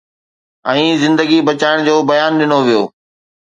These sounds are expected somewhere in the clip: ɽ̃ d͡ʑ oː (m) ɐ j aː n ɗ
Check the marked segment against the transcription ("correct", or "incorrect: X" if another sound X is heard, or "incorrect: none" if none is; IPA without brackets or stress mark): incorrect: b